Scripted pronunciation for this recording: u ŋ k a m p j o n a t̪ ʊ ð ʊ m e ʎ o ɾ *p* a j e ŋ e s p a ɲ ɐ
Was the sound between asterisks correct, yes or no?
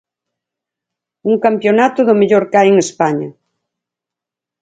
no